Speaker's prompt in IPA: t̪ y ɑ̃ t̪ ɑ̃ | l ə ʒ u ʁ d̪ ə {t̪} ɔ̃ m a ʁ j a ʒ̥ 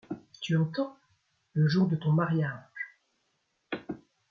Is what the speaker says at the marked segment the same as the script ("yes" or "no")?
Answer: yes